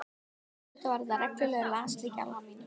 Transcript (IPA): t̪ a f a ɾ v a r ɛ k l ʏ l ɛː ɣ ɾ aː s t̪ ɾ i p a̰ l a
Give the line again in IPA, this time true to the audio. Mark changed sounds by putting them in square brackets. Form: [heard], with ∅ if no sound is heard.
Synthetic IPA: t̪ a [v] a ɾ [ð] a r ɛ k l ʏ l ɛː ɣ [l] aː s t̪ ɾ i [c] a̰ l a

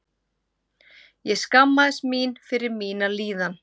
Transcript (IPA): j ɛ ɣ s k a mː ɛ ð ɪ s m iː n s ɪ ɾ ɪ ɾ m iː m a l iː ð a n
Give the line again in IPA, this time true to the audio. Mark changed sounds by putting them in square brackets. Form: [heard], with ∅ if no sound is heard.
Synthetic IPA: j ɛ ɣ s k a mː [a] ð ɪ s m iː n [f] ɪ ɾ ɪ ɾ m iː [n] a l iː ð a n

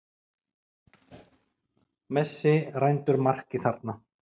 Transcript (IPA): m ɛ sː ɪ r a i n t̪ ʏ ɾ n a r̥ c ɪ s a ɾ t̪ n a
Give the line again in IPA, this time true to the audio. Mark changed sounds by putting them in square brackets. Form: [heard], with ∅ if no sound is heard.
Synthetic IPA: m ɛ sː ɪ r a [j] n t̪ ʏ ɾ [m] a r̥ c ɪ [θ] a ɾ t̪ n a

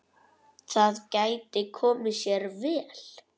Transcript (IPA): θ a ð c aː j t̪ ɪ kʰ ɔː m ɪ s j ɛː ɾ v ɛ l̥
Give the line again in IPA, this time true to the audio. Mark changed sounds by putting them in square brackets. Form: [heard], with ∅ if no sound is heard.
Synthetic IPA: θ a ð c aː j t̪ ɪ kʰ ɔː m ɪ s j [ɛ] ɾ v [ɛː] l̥

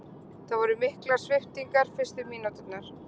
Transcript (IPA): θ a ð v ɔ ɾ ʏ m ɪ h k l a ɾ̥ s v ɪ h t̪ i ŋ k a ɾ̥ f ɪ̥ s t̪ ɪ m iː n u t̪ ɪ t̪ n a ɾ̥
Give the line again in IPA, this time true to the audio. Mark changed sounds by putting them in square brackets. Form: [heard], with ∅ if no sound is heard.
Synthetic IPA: θ a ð v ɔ ɾ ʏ m ɪ h k l a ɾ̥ s v ɪ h t̪ i ŋ k a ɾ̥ f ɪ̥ s t̪ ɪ m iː n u t̪ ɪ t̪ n a ɾ̥

